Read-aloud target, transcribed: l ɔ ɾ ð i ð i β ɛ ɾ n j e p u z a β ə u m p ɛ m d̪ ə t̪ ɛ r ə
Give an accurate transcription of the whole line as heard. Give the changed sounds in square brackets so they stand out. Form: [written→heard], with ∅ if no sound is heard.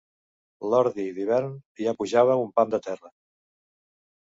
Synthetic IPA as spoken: l ɔ ɾ ð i ð i β ɛ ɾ n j [e→a] p u [z→ʒ] a β ə u m p [ɛ→a] m d̪ ə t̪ ɛ r ə